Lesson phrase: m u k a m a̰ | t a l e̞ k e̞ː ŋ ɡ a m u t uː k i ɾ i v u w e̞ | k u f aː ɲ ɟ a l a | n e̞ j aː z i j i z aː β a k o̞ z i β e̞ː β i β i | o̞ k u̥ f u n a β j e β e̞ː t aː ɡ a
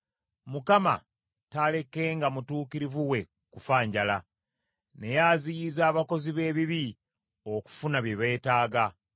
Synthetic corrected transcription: m u k a m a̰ | t a l e̞ k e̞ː ŋ ɡ a m u t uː k i ɾ i v u w e̞ | k u f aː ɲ ɟ a l a | n e̞ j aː z i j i z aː β a k o̞ z i β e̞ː β i β i | o̞ k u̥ f u n a β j e β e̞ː t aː ɡ a